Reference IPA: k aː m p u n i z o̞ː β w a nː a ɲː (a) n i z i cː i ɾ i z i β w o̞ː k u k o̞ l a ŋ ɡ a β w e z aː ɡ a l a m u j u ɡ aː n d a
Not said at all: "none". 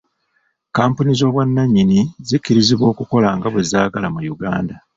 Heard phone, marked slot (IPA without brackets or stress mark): i